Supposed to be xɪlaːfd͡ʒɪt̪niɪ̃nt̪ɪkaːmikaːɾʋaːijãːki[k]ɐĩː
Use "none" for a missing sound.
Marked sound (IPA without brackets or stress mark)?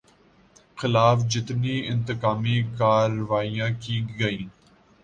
ɡ